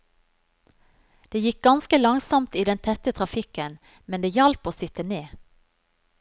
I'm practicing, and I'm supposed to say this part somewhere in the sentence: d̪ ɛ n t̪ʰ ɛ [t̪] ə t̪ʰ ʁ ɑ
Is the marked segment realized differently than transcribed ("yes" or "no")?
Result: no